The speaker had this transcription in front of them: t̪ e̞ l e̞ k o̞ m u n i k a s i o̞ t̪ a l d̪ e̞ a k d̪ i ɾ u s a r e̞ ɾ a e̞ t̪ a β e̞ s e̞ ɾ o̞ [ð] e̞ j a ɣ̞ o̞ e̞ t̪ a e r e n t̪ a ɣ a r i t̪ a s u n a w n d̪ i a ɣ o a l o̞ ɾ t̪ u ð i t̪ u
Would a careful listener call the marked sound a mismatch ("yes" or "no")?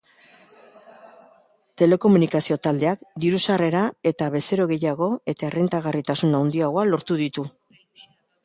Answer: yes